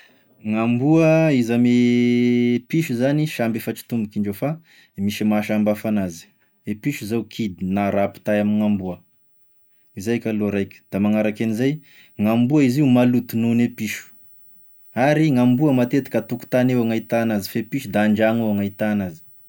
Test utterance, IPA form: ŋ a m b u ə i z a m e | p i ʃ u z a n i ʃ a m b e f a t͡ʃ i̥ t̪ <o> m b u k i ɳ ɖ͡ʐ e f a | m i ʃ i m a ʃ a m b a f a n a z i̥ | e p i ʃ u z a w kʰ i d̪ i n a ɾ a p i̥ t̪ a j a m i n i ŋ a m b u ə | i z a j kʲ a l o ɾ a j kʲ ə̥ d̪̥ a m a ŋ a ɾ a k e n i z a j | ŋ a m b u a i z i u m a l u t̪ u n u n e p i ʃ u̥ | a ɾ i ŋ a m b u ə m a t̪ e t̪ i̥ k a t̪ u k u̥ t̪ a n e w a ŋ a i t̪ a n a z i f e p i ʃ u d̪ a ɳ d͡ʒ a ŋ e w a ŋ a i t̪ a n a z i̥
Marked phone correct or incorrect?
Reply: incorrect